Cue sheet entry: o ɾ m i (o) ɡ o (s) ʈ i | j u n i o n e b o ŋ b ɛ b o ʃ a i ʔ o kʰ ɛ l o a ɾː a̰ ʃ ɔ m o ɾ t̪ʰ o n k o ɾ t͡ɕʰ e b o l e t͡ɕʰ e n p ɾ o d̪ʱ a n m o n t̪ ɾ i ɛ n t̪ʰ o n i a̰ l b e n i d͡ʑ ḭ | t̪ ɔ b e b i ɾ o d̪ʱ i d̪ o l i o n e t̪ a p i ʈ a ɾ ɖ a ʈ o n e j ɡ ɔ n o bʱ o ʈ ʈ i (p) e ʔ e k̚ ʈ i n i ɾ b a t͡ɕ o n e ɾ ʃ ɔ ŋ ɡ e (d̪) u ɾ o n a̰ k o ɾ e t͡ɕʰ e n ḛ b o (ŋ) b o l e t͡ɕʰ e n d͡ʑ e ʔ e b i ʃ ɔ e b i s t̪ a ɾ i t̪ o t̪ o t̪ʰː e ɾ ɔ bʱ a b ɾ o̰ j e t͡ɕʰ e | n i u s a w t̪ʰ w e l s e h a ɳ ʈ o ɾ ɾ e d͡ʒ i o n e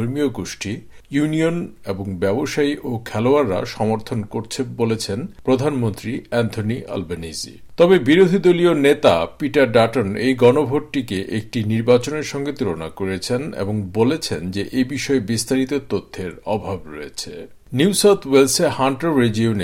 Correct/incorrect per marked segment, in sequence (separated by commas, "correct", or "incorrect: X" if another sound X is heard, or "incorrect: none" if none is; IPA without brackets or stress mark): correct, incorrect: ʃ, incorrect: k, incorrect: t̪, correct